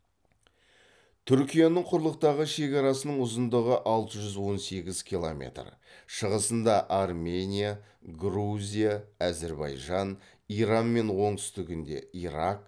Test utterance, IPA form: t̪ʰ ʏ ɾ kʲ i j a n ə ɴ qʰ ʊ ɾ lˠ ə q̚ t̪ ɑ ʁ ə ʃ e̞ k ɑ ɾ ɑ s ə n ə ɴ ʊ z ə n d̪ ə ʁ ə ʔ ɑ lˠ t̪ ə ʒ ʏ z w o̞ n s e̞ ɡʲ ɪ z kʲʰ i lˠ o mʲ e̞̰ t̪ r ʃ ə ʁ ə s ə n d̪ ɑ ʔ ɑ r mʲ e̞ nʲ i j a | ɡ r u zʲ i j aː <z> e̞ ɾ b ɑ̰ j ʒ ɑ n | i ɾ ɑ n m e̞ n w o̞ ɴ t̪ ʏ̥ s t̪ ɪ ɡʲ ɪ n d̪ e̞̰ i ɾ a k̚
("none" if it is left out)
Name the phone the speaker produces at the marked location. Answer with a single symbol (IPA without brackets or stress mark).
z